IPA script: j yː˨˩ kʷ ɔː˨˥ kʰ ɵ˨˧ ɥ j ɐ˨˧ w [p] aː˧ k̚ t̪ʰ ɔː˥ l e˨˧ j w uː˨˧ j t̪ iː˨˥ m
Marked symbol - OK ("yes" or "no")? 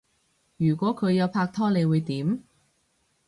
no